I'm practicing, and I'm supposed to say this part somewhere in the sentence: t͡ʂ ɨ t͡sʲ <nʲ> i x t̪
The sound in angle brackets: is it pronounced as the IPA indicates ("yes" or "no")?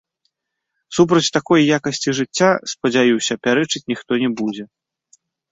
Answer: yes